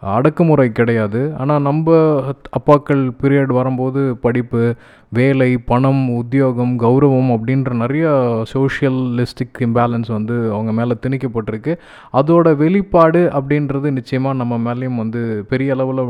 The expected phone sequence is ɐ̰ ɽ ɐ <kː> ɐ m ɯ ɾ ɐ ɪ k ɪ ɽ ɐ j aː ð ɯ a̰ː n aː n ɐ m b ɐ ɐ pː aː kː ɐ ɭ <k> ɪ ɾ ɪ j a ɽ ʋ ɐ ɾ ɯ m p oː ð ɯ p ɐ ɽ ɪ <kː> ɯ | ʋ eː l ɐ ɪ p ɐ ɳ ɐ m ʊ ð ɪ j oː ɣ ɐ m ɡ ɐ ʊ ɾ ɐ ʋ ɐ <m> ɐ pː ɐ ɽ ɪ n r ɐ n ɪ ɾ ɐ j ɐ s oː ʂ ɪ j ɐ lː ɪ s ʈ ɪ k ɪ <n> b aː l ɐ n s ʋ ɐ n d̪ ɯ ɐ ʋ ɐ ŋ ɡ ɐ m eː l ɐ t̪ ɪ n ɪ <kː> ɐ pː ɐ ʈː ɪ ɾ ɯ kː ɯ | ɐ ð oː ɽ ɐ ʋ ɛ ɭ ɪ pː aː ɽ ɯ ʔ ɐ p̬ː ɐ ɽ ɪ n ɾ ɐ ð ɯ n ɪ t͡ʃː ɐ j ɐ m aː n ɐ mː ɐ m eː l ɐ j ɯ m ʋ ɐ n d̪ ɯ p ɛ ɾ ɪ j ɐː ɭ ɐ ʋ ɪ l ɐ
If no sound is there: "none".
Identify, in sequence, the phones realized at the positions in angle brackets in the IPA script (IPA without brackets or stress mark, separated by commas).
kː, p, pː, m, m, kː